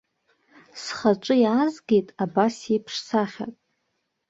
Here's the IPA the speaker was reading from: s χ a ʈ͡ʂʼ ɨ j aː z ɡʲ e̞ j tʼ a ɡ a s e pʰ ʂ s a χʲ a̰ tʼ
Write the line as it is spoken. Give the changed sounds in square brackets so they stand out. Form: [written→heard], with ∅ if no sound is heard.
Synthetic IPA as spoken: s χ a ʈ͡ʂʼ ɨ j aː z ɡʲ e̞ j tʼ a [ɡ→b] a s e pʰ ʂ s a χʲ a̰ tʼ